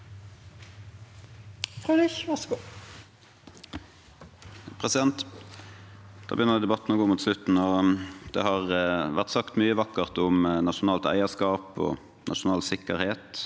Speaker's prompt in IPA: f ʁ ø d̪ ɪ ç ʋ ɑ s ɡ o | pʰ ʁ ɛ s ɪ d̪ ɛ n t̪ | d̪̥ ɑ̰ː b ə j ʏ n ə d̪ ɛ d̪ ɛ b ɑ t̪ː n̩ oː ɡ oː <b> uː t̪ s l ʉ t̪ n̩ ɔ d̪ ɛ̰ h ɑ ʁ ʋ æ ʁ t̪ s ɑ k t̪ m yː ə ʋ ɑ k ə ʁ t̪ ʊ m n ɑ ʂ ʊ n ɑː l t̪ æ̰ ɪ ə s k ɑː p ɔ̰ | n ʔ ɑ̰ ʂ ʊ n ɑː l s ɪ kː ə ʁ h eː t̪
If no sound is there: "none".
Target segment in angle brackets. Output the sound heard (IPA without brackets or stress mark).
m